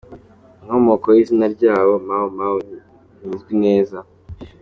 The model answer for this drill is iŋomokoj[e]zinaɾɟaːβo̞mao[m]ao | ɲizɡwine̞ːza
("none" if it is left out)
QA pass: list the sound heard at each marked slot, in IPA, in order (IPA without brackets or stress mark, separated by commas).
i, m